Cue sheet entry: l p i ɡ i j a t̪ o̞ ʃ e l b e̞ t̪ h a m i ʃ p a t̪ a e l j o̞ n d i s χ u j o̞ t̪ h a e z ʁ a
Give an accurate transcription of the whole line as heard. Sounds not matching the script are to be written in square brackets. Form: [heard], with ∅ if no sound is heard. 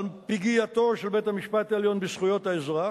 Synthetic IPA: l p i ɡ i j a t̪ o̞ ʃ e l b e̞ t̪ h a m i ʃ p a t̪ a e l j o̞ n [b] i s χ u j o̞ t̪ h a e z ʁ a

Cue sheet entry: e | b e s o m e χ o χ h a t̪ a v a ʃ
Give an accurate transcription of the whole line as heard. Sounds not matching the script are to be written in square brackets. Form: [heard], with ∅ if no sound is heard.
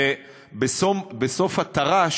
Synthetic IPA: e | b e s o [b] e [s] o [f] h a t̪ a [ʁ] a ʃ

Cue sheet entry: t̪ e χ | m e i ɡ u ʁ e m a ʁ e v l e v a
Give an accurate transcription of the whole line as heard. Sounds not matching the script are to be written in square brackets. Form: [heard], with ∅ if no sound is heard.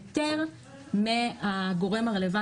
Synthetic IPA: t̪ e [ʁ] | m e [a] ɡ [o] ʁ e m a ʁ e [∅] l e v a

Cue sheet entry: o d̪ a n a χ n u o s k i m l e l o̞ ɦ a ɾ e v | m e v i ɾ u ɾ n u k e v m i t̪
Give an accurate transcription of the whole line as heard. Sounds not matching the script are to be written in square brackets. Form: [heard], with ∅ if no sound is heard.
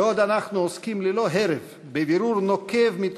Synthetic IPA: o d̪ a n a χ n u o s k i m l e l o̞ ɦ [e] ɾ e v | [b] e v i ɾ u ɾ n [o] k e v m i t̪

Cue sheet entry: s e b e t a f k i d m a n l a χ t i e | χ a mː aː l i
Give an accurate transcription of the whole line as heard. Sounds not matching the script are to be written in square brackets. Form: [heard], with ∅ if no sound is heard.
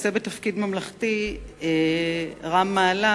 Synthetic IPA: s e b e t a f k i d m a [m] l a χ t i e | [ʁ] a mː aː l [a]

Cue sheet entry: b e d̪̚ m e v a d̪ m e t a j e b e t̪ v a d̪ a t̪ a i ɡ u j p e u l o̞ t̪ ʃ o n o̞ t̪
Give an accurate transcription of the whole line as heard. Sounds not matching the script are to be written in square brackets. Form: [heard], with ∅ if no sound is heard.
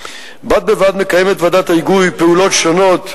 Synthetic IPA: b [a] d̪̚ [b] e v a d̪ m e [k] a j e [m] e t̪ v a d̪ a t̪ a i ɡ u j p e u l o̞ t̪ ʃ o n o̞ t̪

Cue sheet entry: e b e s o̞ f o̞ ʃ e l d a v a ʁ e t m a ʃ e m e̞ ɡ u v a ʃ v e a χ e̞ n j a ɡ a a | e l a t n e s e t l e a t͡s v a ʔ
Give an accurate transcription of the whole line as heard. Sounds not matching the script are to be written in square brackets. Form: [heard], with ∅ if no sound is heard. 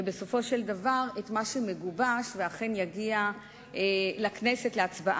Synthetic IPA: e b e s o̞ f o̞ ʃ e l d a v a ʁ e t m a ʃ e m e̞ ɡ u [b] a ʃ v e a χ e̞ n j a ɡ [i] a | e l a [k] n e s e t l e a t͡s [b] a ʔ

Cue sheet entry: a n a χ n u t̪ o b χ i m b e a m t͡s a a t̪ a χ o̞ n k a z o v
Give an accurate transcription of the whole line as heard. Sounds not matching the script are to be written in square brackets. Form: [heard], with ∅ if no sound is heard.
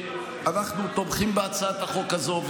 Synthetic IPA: a n a χ n u t̪ o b χ i m b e a [∅] t͡s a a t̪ a χ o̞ [∅] k a z o v

